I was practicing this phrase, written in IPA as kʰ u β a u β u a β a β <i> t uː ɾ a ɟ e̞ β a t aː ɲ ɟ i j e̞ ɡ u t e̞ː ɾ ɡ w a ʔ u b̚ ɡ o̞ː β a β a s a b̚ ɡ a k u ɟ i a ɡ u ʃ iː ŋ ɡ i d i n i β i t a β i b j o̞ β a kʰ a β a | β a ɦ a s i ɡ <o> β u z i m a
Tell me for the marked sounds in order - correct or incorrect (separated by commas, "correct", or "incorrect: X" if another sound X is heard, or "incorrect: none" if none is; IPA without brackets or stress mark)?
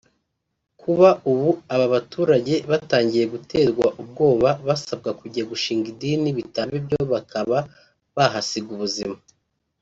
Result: incorrect: a, incorrect: u